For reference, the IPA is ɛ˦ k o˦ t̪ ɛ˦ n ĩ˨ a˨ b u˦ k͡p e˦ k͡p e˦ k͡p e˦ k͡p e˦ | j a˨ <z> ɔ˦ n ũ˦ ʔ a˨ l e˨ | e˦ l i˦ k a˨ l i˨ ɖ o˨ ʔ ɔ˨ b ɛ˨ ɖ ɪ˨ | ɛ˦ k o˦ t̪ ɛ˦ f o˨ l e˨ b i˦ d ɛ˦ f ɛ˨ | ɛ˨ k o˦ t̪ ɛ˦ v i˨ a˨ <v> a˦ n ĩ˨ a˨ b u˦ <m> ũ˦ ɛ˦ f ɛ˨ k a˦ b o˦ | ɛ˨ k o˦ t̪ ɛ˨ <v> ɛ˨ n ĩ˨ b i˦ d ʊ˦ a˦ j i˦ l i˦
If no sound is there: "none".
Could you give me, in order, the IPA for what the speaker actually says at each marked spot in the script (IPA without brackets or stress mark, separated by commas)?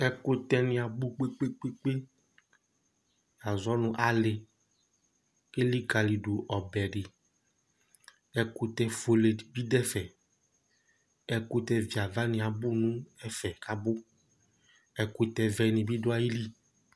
z, v, n, v